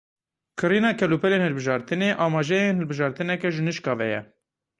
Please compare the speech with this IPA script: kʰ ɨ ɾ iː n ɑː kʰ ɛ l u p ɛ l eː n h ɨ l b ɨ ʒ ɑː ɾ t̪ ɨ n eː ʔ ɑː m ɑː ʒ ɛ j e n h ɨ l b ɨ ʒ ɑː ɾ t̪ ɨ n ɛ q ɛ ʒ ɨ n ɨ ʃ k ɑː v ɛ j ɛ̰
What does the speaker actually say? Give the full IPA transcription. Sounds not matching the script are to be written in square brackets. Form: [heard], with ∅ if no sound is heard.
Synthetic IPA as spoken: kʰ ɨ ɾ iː n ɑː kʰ ɛ l u p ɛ l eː n h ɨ l b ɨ ʒ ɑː ɾ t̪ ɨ n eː ʔ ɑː m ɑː ʒ ɛ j e n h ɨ l b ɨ ʒ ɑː ɾ t̪ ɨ n ɛ [k] ɛ ʒ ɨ n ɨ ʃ k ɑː v ɛ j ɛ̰